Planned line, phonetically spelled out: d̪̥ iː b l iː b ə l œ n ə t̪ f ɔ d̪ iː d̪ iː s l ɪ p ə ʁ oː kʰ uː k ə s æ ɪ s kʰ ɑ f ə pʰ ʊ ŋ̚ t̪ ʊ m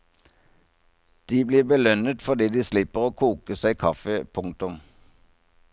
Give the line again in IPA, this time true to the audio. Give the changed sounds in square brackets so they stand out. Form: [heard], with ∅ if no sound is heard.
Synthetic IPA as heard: d̪̥ iː b l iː b ə l œ n ə t̪ f ɔ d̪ iː d̪ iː s l ɪ p ə ʁ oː kʰ uː k ə s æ ɪ [∅] kʰ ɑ f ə pʰ ʊ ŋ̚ t̪ ʊ m